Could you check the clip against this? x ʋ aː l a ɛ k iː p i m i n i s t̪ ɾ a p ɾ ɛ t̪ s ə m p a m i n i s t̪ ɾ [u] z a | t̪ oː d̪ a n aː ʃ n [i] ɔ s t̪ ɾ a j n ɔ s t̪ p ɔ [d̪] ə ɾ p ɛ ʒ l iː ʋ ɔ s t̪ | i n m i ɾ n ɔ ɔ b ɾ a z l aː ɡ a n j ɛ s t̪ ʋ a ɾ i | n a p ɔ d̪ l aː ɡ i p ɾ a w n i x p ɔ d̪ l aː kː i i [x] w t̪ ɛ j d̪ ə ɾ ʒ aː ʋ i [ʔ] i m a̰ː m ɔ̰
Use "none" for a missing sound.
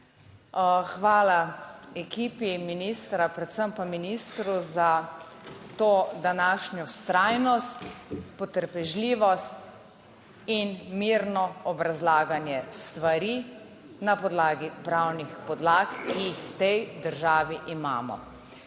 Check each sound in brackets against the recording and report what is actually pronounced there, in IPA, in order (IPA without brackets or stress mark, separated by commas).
u, j, t̪, x, ʔ